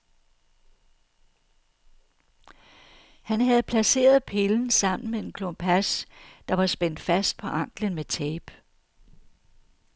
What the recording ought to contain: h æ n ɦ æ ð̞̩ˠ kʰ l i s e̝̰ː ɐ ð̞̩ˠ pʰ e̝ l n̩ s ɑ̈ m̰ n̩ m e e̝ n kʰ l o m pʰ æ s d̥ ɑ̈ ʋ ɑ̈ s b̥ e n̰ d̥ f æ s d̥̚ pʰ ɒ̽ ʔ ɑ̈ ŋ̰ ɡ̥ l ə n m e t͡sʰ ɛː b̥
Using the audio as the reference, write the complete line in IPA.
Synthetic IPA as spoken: h æ n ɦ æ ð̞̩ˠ pʰ l æ s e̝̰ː ɐ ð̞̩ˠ pʰ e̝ l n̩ s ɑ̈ m̰ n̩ m e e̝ n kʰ l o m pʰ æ s d̥ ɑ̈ ʋ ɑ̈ s b̥ e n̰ d̥ f æ s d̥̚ pʰ ɒ̽ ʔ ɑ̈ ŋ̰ ɡ̥ l ə n m e t͡sʰ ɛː b̥